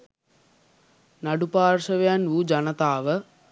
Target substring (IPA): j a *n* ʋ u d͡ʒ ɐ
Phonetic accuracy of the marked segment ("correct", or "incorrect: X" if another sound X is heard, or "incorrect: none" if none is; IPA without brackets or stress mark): correct